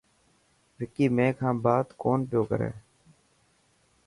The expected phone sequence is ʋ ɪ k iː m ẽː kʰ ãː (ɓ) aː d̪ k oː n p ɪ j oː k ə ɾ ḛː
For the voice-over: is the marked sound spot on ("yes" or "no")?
no